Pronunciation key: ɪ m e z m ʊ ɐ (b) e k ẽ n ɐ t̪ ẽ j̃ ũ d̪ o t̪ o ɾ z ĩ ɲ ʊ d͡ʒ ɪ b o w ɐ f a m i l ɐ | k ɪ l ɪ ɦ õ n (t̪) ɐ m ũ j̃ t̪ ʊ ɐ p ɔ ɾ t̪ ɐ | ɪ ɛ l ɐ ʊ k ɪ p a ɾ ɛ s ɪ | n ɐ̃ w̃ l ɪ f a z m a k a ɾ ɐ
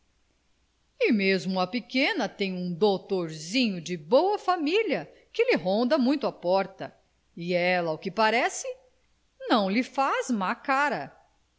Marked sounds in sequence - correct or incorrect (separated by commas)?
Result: incorrect, incorrect